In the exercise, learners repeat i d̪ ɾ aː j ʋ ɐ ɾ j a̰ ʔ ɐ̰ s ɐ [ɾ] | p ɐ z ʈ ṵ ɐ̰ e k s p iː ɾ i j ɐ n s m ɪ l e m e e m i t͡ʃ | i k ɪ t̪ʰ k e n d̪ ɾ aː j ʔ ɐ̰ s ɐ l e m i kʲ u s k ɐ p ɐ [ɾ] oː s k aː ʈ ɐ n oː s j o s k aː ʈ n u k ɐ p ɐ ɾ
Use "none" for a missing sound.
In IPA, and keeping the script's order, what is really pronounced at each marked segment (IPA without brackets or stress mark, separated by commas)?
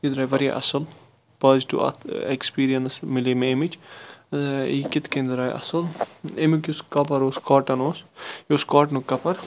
l, ɾ